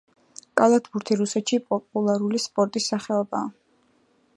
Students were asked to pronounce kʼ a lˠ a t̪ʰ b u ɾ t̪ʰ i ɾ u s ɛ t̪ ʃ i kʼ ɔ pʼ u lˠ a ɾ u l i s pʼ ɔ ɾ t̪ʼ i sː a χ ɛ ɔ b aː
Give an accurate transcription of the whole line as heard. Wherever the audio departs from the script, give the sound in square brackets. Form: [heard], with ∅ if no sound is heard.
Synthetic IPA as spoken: kʼ a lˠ a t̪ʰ b u ɾ t̪ʰ i ɾ u s ɛ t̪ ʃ i [pʼ] ɔ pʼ u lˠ a ɾ u l i s pʼ ɔ ɾ t̪ʼ i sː a χ ɛ ɔ b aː